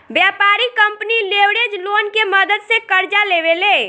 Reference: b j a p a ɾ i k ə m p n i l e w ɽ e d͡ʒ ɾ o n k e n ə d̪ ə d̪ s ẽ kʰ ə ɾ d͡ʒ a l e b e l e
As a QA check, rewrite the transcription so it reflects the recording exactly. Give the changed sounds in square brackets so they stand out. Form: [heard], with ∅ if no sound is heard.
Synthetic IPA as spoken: b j a p a ɾ i k ə m p n i l e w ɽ e d͡ʒ [l] o n k e [m] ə d̪ ə d̪ s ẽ [k] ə ɾ d͡ʒ a l e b e l e